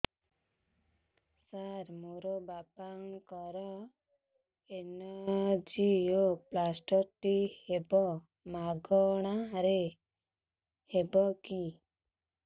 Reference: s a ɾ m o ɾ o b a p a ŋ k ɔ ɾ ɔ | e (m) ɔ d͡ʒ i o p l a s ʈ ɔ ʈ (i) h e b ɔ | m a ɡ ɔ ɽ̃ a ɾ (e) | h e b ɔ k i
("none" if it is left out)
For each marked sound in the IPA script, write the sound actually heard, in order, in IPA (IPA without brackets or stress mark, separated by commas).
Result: n, i, e